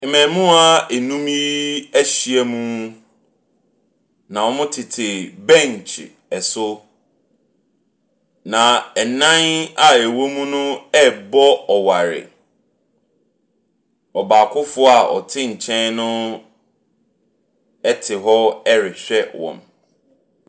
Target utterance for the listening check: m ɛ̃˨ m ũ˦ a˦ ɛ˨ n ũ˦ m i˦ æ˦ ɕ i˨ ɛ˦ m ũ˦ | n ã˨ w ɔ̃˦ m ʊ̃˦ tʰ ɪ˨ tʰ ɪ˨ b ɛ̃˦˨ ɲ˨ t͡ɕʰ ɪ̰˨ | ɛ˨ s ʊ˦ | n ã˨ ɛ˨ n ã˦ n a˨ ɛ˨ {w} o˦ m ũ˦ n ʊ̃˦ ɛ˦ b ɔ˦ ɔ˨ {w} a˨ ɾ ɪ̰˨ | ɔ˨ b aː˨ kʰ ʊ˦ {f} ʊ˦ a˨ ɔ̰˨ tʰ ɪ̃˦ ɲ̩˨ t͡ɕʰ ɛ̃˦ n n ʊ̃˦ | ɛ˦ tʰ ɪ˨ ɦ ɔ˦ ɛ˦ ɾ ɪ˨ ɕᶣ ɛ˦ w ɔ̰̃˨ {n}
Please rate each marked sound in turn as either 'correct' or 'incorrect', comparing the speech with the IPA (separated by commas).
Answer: correct, correct, correct, incorrect